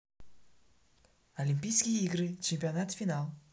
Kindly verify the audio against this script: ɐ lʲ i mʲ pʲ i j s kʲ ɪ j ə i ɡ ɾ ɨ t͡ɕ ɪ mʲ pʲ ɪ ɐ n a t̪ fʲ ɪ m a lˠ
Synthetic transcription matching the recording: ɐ lʲ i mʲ pʲ i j s kʲ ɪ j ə i ɡ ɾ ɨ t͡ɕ ɪ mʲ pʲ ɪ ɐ n a t̪ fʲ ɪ n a lˠ